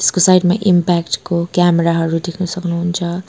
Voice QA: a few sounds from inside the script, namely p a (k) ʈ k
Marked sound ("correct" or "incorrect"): correct